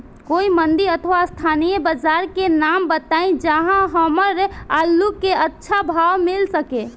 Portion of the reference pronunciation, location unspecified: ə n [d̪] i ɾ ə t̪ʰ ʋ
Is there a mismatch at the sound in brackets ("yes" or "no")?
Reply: no